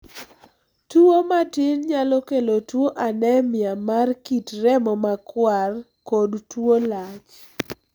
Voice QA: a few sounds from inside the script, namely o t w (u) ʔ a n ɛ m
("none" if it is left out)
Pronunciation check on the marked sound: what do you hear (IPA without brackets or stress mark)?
o